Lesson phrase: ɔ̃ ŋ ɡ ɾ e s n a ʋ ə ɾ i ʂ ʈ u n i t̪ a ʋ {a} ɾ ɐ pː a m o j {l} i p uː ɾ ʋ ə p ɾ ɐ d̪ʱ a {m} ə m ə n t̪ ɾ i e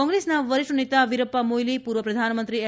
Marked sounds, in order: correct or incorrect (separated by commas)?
incorrect, correct, incorrect